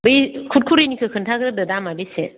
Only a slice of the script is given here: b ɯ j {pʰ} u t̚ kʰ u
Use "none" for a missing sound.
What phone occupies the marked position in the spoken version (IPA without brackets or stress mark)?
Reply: kʰ